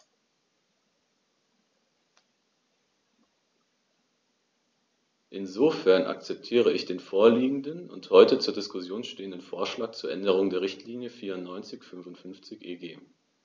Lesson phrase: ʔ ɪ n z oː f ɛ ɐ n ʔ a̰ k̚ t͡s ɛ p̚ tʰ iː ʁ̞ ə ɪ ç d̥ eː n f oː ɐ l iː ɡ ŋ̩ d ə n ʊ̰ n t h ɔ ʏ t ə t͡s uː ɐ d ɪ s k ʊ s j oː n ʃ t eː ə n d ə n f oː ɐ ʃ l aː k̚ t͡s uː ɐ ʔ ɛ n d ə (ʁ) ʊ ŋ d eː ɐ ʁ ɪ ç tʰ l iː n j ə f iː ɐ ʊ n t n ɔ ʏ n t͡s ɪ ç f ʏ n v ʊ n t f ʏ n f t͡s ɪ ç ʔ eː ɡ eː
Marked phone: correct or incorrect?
correct